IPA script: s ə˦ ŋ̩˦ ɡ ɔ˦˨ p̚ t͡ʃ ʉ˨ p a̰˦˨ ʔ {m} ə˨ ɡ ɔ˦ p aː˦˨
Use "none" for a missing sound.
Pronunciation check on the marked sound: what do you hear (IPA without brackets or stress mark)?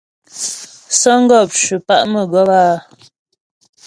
m